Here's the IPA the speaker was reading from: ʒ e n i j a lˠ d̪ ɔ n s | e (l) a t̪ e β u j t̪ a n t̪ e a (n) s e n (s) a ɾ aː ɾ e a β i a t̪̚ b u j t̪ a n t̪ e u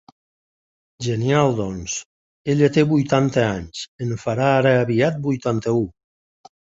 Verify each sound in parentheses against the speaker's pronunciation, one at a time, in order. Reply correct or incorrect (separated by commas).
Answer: incorrect, incorrect, incorrect